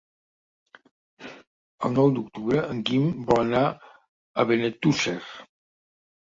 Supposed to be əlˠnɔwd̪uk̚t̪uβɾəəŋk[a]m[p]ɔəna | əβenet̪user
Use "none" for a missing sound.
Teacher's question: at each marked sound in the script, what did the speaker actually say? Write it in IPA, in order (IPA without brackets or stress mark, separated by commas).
i, b